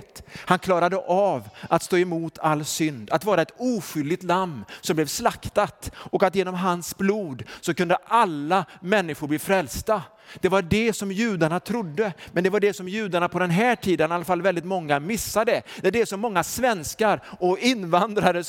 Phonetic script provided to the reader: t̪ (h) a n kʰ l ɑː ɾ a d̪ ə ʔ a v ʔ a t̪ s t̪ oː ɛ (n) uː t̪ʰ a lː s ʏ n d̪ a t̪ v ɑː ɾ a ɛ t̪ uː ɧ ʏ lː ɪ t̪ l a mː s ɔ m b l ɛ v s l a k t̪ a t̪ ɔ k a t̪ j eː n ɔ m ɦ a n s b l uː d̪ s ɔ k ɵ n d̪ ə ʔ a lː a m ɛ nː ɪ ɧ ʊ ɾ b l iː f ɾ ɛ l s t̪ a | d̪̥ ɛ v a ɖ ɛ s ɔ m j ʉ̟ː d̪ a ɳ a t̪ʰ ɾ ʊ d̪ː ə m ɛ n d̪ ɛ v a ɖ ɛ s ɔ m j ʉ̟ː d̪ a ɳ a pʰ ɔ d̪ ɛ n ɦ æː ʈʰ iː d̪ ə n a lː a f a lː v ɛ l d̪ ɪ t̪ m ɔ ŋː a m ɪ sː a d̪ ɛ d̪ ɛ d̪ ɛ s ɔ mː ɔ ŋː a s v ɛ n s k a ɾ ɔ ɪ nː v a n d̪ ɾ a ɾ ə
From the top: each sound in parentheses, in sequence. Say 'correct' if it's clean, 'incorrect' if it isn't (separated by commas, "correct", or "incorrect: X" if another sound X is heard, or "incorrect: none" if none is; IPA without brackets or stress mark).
correct, incorrect: m